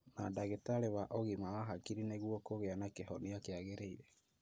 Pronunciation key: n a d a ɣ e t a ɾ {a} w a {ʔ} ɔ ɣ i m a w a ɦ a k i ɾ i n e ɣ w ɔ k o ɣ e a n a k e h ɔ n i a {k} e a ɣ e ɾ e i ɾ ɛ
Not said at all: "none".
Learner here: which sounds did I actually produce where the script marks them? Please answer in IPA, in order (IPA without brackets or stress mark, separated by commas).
e, ʔ, k